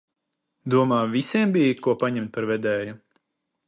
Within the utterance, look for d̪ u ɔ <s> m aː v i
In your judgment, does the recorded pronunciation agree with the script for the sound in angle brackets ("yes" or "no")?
no